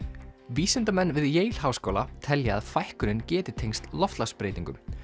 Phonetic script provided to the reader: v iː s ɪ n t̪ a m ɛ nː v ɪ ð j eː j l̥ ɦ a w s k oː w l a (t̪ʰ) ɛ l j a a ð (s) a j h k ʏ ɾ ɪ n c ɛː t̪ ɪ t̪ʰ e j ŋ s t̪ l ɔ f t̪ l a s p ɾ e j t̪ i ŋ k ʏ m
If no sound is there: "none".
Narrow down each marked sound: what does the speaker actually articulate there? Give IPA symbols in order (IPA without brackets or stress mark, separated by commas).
t̪ʰ, f